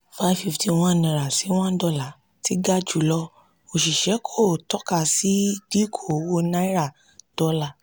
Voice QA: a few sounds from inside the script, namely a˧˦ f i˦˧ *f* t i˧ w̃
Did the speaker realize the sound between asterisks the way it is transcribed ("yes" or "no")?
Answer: yes